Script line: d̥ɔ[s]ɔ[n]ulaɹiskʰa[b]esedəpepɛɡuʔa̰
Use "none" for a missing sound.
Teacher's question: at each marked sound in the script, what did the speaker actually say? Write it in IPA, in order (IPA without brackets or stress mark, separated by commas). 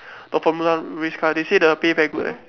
f, m, d